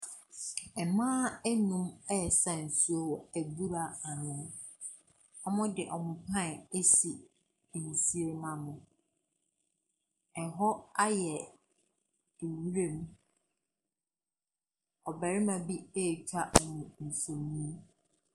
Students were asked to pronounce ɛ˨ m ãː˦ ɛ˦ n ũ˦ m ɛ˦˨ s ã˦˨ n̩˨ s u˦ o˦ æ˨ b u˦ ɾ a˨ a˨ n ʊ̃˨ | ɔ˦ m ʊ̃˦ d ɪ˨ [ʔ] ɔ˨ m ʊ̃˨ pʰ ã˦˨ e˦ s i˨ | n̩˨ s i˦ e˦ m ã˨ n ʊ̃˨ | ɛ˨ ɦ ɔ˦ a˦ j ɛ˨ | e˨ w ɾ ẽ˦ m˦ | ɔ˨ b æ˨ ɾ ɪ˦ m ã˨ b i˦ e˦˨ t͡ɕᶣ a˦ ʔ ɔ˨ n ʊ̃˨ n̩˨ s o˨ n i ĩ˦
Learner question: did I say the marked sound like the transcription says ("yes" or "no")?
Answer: yes